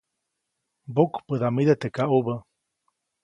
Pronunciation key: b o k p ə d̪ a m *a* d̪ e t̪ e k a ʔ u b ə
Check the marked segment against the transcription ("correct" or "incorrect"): incorrect